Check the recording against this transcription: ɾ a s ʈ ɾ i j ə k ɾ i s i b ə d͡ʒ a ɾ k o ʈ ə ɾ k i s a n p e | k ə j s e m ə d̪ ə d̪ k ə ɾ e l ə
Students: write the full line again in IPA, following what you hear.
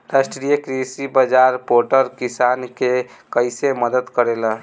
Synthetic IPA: ɾ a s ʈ ɾ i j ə k ɾ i s i b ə d͡ʒ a ɾ p o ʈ ə ɾ k i s a n k e | k ə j s e m ə d̪ ə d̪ k ə ɾ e l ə

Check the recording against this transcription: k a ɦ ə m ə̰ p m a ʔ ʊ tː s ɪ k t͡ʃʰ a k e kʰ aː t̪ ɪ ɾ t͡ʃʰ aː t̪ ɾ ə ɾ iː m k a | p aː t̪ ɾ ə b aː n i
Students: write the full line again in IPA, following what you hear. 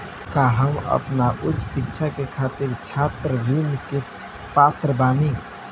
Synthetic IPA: k a ɦ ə m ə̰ p n a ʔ ʊ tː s ɪ k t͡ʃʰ a k e kʰ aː t̪ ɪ ɾ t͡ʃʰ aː t̪ ɾ ə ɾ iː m k e | p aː t̪ ɾ ə b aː n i

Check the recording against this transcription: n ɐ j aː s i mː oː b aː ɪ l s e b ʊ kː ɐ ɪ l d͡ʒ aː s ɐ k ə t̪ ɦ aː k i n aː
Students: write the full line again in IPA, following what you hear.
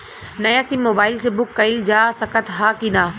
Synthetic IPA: n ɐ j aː s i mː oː b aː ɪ l s e b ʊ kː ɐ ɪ l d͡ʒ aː s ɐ k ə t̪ ɦ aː k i n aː

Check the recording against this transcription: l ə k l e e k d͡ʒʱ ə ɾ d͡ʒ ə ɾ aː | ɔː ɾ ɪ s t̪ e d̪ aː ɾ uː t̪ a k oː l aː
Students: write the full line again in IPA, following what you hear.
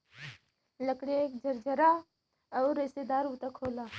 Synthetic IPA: l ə k ɽ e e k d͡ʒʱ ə ɾ d͡ʒ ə ɾ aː | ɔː ɾ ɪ s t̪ e d̪ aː ɾ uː t̪ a kʰ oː l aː

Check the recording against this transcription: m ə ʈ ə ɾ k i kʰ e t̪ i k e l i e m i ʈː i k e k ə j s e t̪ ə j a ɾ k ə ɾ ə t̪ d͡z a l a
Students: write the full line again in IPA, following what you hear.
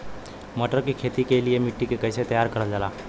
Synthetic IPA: m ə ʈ ə ɾ k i kʰ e t̪ i k e l i e m i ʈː i k e k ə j s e t̪ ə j a ɾ k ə ɾ ə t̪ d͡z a l a

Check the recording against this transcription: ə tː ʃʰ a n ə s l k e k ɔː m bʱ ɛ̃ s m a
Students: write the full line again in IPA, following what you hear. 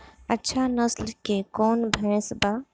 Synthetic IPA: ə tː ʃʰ a n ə s l k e k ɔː n bʱ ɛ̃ s b a

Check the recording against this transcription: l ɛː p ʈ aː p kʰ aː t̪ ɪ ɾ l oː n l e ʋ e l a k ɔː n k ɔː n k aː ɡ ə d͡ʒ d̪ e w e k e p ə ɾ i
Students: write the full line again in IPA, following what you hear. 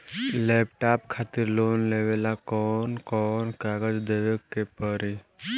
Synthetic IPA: l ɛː p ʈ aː p kʰ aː t̪ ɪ ɾ l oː n l e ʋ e l a k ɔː n k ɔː n k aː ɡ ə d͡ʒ d̪ e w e k e p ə ɾ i

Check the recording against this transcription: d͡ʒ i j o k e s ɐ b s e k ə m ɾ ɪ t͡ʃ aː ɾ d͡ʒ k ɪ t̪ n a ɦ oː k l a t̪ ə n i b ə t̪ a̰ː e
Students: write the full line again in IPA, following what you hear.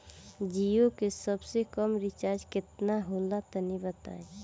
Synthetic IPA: d͡ʒ i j o k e s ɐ b s e k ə m ɾ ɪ t͡ʃ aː ɾ d͡ʒ k ɪ t̪ n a ɦ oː l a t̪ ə n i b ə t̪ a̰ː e

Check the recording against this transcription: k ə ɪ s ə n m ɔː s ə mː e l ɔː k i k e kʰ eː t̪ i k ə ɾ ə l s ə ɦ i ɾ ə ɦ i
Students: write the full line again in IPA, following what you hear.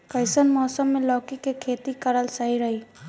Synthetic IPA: k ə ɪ s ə n m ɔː s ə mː e l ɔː k i k e kʰ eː t̪ i k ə ɾ ə l s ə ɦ i ɾ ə ɦ i

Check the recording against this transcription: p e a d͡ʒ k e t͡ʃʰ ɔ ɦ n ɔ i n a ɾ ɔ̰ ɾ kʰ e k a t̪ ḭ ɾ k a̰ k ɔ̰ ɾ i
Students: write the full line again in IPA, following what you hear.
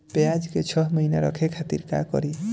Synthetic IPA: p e a d͡ʒ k e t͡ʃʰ ɔ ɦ m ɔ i n a ɾ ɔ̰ kʰ e kʰ a t̪ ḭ ɾ k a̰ k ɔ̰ ɾ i

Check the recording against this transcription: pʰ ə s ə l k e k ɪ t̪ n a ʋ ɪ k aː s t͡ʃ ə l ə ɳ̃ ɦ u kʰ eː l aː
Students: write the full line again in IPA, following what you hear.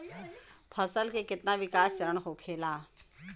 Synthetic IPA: pʰ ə s ə l k e k ɪ t̪ n a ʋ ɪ k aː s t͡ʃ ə ɾ ə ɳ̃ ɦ o kʰ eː l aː

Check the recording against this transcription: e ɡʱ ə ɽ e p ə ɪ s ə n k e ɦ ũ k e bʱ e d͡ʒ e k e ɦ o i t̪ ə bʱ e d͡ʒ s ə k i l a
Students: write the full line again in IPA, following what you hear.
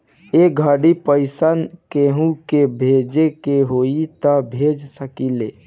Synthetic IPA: e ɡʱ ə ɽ i p ə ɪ s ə n k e ɦ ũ k e bʱ e d͡ʒ e k e ɦ o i t̪ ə bʱ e d͡ʒ s ə k i l e

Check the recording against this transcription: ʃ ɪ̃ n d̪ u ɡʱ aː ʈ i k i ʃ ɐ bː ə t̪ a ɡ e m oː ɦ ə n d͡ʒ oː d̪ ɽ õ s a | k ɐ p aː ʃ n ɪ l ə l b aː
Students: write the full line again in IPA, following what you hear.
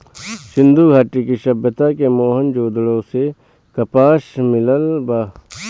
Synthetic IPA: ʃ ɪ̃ n d̪ u ɡʱ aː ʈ i k i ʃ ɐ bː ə t̪ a k e m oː ɦ ə n d͡ʒ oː d̪ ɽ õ s e | k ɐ p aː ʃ m ɪ l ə l b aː

